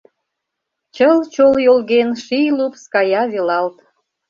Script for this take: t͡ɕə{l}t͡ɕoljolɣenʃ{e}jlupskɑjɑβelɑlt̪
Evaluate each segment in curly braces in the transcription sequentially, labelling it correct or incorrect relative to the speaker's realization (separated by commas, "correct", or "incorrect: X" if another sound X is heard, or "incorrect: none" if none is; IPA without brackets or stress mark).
correct, incorrect: i